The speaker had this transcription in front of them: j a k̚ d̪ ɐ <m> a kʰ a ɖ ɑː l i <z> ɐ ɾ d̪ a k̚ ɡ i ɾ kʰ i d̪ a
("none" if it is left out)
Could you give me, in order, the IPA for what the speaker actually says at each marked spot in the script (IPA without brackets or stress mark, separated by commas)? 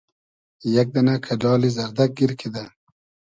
n, z